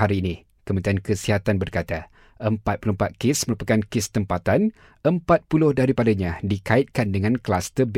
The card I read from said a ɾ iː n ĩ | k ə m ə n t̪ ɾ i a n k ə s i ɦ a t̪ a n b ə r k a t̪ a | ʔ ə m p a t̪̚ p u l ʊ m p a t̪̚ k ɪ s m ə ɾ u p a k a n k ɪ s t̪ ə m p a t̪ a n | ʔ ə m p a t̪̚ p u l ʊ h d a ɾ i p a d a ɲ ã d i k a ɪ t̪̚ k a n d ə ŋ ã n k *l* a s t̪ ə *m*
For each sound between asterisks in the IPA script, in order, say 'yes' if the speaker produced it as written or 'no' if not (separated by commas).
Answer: yes, no